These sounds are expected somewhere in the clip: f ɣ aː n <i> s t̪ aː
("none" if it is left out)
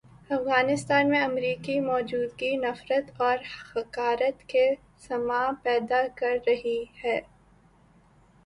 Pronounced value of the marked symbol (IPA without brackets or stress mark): ɪ